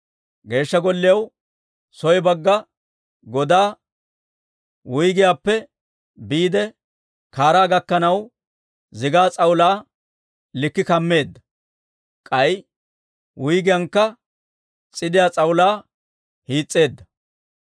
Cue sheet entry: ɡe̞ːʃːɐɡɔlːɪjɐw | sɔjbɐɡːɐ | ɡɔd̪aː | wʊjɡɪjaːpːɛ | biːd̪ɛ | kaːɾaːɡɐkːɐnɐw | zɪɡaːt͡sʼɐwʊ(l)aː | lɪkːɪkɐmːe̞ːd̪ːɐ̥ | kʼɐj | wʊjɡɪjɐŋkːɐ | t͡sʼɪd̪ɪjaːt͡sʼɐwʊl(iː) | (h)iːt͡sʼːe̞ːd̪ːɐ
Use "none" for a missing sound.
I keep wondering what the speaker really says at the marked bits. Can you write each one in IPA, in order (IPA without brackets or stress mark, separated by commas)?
l, aː, h